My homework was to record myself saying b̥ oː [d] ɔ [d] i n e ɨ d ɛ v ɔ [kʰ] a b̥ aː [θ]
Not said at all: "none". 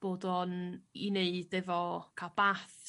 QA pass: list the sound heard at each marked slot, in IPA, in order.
d, n, kʰ, θ

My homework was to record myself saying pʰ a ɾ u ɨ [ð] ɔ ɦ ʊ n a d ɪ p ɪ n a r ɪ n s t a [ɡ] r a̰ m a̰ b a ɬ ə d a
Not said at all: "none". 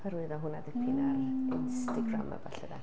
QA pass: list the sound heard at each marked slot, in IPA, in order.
ð, ɡ

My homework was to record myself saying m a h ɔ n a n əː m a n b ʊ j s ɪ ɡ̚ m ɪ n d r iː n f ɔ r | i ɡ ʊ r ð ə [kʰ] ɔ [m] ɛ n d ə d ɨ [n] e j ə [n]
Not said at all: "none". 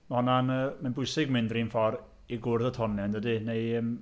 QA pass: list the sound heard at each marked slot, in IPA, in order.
tʰ, n, n, m

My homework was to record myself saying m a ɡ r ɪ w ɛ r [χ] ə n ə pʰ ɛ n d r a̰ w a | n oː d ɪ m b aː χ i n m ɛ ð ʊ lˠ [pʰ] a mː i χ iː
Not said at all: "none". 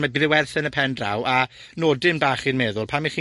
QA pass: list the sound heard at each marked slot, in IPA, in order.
θ, pʰ

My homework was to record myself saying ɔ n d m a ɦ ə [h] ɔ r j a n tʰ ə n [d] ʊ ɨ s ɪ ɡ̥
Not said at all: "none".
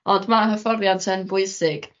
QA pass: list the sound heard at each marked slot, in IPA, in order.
f, b

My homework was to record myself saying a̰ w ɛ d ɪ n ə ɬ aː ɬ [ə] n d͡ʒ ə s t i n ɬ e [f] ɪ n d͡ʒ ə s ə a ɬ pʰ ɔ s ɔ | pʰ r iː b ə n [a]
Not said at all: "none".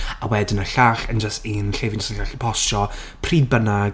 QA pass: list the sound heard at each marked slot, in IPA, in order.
ə, v, a

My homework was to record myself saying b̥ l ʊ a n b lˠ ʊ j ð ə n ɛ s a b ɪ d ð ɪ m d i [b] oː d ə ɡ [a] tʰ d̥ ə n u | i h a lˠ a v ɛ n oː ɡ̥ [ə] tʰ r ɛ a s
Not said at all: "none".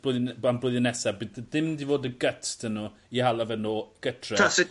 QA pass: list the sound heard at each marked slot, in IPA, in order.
v, ə, ə

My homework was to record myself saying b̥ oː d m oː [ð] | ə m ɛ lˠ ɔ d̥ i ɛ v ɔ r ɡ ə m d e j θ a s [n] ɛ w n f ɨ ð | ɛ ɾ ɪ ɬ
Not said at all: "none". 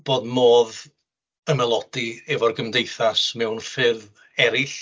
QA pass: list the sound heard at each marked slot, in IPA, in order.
ð, m

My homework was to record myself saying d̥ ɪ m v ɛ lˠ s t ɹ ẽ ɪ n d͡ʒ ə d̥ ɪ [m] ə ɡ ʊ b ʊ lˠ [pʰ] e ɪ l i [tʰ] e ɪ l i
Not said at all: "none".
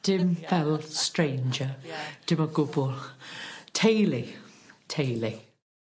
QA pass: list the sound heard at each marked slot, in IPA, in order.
m, tʰ, tʰ

